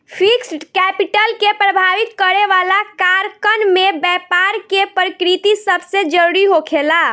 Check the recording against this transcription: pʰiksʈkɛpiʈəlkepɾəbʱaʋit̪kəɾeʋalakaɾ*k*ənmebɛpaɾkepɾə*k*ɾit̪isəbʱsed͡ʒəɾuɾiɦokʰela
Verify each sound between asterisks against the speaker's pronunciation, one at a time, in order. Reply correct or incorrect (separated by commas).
correct, correct